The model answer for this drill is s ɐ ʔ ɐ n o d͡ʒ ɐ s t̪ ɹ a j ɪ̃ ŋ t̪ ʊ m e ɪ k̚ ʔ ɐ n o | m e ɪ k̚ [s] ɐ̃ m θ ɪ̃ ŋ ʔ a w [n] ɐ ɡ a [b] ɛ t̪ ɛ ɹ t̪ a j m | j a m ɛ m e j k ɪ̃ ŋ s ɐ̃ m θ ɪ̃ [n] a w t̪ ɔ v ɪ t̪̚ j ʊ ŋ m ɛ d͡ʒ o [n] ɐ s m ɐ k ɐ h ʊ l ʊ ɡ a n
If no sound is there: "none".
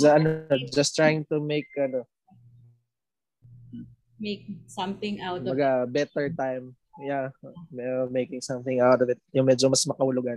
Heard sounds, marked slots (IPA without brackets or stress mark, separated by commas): s, m, b, ŋ, m